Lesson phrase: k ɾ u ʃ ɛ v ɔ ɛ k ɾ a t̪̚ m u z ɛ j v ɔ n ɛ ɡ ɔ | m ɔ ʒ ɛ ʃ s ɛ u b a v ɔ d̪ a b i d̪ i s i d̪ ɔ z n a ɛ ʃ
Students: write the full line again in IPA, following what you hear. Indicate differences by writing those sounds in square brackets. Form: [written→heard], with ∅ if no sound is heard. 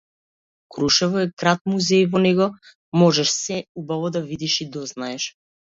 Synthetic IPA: k ɾ u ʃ ɛ v ɔ ɛ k ɾ a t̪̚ m u z ɛ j v ɔ n ɛ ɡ ɔ | m ɔ ʒ ɛ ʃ s ɛ u b a v ɔ d̪ a [b→v] i d̪ i [s→ʃ] i d̪ ɔ z n a ɛ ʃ